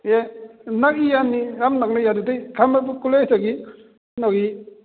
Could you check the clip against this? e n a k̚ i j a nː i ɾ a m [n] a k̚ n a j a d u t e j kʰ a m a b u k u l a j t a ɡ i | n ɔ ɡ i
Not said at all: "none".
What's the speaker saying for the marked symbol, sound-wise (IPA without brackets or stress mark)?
n